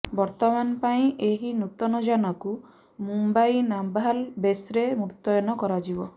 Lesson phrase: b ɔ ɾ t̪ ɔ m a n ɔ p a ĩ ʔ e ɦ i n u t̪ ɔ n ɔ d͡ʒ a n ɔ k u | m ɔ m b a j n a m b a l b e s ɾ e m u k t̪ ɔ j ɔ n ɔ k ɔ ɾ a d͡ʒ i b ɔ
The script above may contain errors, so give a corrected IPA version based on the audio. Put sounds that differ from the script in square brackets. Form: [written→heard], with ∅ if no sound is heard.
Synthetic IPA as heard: b ɔ ɾ t̪ ɔ m a n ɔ p a ĩ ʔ e ɦ i n u t̪ ɔ n ɔ d͡ʒ a n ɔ k u | m [ɔ→u] m b a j n a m b a l b e s ɾ e m u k t̪ ɔ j ɔ n ɔ k ɔ ɾ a d͡ʒ i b ɔ